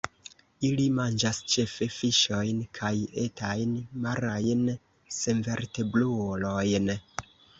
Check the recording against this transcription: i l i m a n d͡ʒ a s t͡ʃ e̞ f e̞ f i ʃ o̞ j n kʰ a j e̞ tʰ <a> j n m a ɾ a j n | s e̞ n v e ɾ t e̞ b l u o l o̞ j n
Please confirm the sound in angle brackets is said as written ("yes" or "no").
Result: yes